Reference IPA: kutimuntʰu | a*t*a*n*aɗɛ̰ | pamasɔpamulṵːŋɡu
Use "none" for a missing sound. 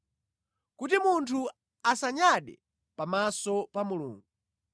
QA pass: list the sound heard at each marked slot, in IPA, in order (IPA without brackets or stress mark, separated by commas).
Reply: s, ɲ